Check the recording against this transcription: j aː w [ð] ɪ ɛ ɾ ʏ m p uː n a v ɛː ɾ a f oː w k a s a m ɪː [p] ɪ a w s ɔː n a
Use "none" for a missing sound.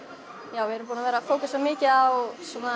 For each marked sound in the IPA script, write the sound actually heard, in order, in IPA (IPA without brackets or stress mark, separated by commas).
v, c